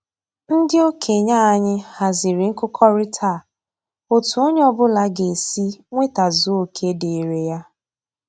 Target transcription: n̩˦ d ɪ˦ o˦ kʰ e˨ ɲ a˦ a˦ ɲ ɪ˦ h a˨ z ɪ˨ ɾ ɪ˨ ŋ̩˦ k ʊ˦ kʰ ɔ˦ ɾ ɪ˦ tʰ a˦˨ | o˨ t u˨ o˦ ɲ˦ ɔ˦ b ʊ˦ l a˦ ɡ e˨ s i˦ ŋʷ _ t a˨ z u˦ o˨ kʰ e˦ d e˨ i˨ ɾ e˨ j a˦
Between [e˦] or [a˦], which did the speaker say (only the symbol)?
e˦